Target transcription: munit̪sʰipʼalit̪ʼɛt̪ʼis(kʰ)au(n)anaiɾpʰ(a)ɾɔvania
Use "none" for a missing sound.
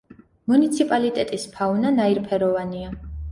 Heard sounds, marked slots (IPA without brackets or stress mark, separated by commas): pʰ, n, ɛ